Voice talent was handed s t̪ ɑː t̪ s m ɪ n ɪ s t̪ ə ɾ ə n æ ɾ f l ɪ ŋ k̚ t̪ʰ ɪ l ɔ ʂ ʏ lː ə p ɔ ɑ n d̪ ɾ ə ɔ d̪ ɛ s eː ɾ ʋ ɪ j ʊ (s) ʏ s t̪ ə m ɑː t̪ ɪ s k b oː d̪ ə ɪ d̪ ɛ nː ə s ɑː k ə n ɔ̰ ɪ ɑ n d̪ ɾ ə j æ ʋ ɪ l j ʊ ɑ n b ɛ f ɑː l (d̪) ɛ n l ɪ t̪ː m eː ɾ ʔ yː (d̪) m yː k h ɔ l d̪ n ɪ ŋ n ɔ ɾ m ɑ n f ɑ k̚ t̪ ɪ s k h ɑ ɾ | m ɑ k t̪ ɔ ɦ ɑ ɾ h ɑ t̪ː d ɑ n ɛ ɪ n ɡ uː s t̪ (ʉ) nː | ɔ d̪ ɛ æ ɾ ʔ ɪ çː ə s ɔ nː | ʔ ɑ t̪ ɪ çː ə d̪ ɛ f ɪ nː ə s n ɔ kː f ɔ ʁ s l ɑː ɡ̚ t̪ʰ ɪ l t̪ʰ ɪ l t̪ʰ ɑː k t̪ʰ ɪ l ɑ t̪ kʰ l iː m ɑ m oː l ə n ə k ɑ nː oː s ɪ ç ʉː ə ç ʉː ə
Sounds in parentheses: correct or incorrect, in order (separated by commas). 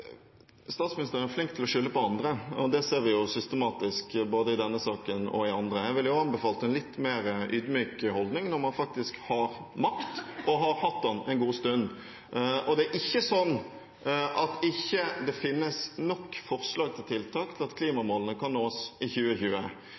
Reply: correct, incorrect, correct, correct